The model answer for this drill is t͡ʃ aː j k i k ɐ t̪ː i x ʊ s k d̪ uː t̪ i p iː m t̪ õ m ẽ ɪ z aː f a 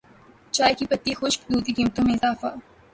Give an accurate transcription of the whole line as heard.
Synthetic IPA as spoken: t͡ʃ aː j k i p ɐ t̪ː i x ʊ ʃ k d̪ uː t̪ i k iː m t̪ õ m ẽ ɪ z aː f a